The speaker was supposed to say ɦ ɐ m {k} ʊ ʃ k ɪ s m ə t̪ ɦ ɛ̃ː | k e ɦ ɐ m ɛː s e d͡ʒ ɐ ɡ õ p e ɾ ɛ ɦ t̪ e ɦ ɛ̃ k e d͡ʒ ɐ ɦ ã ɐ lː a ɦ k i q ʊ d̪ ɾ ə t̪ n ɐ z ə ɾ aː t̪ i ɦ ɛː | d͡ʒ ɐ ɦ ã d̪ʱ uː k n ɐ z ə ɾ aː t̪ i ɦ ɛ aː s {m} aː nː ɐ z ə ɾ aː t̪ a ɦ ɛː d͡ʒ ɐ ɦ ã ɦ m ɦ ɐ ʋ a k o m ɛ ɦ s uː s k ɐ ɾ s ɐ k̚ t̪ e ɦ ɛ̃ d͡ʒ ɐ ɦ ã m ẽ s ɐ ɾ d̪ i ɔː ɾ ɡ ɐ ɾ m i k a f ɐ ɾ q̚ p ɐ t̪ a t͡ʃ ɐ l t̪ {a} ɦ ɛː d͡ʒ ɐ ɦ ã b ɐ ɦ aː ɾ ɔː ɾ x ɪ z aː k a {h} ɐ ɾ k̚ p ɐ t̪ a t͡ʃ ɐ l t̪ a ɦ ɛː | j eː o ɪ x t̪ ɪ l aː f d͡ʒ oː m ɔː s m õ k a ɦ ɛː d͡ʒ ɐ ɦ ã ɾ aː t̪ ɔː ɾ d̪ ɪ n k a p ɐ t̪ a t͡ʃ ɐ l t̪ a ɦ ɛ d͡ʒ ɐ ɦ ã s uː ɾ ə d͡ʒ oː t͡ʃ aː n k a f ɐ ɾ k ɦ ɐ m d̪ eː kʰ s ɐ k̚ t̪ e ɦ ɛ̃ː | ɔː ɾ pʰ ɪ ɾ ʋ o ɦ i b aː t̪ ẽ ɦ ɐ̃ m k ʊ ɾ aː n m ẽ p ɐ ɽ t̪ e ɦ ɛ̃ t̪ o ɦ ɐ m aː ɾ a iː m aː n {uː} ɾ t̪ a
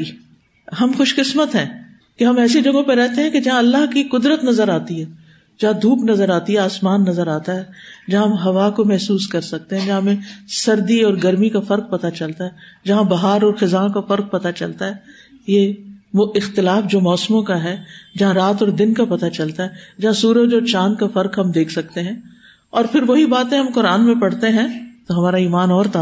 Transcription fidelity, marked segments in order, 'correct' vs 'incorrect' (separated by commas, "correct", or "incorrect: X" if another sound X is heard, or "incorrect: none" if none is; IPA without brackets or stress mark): incorrect: x, correct, correct, incorrect: f, incorrect: ɔː